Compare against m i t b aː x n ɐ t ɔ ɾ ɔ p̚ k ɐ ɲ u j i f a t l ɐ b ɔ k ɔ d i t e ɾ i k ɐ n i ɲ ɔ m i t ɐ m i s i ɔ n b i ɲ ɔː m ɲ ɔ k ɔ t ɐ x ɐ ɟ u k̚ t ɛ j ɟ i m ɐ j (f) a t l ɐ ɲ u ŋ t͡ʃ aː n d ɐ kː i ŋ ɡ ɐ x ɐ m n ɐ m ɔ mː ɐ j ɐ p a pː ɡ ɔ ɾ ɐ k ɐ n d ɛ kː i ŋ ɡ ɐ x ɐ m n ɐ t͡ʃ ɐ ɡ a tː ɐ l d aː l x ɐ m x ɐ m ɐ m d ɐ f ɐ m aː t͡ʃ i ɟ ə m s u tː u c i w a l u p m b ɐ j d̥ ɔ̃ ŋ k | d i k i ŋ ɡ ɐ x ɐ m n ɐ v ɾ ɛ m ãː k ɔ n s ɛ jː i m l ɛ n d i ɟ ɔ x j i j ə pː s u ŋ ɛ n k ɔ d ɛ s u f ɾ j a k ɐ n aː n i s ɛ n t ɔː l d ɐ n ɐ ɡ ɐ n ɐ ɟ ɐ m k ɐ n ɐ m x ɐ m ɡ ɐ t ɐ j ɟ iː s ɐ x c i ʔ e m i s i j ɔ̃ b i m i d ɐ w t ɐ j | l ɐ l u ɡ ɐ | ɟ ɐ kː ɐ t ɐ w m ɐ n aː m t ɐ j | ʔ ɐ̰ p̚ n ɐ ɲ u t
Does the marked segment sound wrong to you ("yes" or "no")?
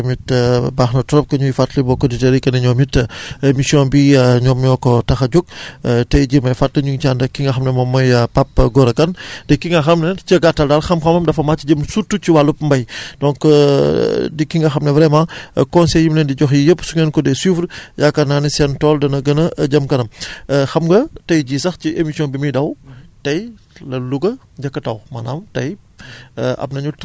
no